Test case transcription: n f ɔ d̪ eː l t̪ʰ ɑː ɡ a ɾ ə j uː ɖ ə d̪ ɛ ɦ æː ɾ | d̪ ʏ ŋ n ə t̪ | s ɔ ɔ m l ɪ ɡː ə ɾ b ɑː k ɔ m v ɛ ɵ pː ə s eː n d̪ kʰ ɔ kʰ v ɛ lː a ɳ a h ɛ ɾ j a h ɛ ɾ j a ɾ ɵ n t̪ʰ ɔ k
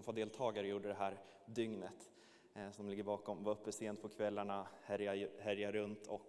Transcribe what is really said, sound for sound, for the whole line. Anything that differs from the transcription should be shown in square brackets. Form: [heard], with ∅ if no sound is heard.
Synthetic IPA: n f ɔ d̪ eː l t̪ʰ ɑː ɡ a ɾ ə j uː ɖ ə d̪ ɛ ɦ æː ɾ | d̪ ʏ ŋ n ə t̪ | s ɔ ɔ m l ɪ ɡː ə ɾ b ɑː k ɔ m v [a] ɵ pː ə s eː n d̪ [pʰ] ɔ kʰ v ɛ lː a ɳ a h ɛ ɾ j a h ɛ ɾ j a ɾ ɵ n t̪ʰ ɔ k